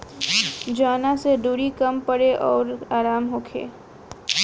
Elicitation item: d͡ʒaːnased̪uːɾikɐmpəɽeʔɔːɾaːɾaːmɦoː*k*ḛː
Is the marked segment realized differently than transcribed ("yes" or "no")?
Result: yes